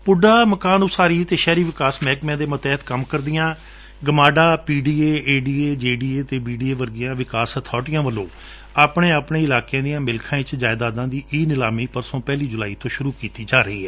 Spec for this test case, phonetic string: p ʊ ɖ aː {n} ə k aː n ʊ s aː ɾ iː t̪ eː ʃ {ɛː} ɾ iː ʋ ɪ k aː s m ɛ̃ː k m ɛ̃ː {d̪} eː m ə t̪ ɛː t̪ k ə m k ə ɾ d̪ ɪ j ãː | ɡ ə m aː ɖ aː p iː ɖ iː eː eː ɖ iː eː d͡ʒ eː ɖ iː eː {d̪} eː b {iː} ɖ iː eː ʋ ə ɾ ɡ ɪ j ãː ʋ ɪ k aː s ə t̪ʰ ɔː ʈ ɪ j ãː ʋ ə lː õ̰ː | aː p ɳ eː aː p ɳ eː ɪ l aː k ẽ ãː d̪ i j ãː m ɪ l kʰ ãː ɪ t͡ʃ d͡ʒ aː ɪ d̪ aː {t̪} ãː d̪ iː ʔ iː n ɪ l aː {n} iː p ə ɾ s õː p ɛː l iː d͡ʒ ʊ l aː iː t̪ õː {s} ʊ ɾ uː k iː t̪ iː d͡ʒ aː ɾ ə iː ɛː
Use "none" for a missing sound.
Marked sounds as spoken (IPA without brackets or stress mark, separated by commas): m, ɛː, d̪, t̪, iː, d̪, m, ʃ